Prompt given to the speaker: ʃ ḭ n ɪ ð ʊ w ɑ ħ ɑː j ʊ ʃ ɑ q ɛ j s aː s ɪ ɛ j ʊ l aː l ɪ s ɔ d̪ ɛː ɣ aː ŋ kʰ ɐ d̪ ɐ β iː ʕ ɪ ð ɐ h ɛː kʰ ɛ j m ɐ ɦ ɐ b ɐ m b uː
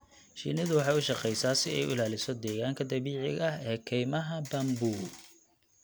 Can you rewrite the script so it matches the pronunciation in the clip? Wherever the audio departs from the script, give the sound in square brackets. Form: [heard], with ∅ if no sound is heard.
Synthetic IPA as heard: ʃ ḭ n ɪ ð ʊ w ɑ ħ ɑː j ʊ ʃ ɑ q ɛ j s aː s ɪ ɛ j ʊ l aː l ɪ s ɔ d̪ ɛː ɣ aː ŋ kʰ ɐ d̪ ɐ β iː ʕ ɪ [ɣ] ɐ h ɛː kʰ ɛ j m ɐ ɦ ɐ b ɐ m b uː

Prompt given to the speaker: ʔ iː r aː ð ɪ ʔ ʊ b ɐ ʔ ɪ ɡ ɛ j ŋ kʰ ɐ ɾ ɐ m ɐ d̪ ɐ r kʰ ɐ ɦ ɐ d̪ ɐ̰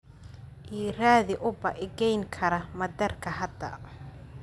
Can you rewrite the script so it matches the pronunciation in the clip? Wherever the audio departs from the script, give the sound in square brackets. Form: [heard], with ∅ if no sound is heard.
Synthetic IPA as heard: ʔ iː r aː ð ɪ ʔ ʊ b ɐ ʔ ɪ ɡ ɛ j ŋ kʰ ɐ ɾ ɐ m ɐ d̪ ɐ r kʰ ɐ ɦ ɐ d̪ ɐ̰

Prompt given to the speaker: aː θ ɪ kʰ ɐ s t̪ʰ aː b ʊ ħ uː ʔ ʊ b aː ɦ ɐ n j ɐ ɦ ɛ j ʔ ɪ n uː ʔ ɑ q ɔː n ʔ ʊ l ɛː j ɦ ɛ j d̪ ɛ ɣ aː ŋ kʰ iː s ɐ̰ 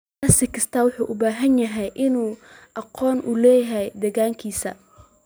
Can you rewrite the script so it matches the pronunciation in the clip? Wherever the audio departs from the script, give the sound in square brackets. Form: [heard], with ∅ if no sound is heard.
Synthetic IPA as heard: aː [s] ɪ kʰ ɐ s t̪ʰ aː [w] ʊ ħ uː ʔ ʊ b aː ɦ ɐ n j ɐ ɦ ɛ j ʔ ɪ n uː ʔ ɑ q ɔː n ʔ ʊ l ɛː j ɦ ɛ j d̪ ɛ ɣ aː ŋ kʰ iː s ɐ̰

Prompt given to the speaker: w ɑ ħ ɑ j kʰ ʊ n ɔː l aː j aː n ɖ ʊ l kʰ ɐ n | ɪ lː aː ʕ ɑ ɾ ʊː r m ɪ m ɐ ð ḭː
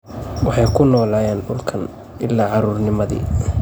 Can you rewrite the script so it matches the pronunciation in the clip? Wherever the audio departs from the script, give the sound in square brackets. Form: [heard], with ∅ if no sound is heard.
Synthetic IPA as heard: w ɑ ħ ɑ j kʰ ʊ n ɔː l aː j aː n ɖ ʊ l kʰ ɐ n | ɪ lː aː ʕ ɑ ɾ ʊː r [n] ɪ m ɐ ð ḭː

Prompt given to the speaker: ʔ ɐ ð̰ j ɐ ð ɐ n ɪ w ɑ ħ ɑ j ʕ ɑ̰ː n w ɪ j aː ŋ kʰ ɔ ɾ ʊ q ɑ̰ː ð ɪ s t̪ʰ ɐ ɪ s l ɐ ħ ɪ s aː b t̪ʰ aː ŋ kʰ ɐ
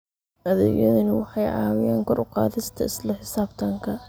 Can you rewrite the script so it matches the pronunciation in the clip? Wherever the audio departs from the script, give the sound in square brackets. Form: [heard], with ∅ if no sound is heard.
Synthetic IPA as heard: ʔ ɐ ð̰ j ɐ ð ɐ n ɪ w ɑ ħ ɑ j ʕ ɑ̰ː [∅] w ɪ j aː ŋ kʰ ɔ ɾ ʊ q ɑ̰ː ð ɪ s t̪ʰ ɐ ɪ s l ɐ ħ ɪ s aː b t̪ʰ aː ŋ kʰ ɐ

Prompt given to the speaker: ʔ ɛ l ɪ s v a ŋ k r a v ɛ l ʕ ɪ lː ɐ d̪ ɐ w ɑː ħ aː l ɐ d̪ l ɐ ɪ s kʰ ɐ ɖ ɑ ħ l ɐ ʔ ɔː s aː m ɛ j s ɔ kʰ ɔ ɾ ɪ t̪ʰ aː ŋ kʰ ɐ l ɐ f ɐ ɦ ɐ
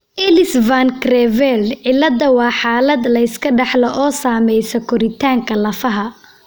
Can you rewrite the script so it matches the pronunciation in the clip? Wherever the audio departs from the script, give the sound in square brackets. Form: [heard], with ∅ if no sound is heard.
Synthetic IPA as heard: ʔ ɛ l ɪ s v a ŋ k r [ɛ] v ɛ l ʕ ɪ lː ɐ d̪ ɐ w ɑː ħ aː l ɐ d̪ l ɐ ɪ s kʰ ɐ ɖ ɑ ħ l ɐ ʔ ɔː s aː m ɛ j s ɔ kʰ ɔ ɾ ɪ t̪ʰ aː ŋ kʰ ɐ l ɐ f ɐ ɦ ɐ

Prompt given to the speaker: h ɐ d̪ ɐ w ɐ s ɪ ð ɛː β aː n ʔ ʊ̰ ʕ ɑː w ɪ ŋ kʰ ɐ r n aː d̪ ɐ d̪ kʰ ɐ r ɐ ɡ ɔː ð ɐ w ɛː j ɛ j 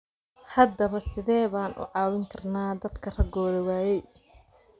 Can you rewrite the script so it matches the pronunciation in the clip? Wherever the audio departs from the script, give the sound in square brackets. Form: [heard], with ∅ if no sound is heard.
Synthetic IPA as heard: h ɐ d̪ ɐ [β] ɐ s ɪ ð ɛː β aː n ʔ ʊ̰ ʕ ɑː w ɪ ŋ kʰ ɐ r n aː d̪ ɐ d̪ kʰ ɐ r ɐ ɡ ɔː ð ɐ w [aː] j ɛ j

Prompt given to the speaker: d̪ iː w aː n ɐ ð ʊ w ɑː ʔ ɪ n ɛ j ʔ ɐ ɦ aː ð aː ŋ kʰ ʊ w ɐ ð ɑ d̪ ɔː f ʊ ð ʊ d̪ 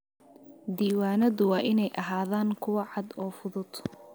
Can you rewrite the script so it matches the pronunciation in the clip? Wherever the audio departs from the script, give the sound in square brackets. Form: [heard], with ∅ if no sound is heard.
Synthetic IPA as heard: d̪ iː w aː n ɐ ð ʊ w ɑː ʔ ɪ n ɛ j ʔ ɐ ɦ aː ð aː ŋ kʰ ʊ w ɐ [ʕ] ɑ d̪ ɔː f ʊ ð ʊ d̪

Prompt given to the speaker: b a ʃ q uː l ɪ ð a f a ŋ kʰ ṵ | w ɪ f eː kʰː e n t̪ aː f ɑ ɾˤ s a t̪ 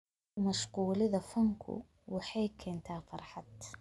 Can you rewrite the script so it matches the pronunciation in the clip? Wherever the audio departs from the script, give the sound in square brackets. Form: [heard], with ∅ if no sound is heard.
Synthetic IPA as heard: [m] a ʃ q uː l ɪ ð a f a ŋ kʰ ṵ | w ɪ [ħ] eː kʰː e n t̪ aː f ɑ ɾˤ [ħ] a t̪

